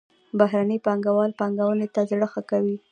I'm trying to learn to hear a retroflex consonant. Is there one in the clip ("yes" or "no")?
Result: yes